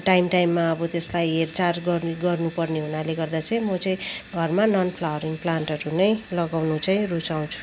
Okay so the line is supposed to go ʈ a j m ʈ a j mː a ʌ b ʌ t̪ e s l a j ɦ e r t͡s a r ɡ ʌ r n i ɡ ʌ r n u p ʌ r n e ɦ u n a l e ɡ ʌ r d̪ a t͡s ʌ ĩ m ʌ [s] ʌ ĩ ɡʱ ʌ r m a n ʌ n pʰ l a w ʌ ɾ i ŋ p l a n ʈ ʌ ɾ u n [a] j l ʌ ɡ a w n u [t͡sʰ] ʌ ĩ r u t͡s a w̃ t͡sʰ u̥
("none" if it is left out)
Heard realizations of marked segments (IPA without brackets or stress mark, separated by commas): t͡s, ʌ, t͡s